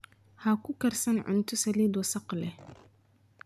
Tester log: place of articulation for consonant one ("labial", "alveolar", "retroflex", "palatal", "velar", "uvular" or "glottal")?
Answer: glottal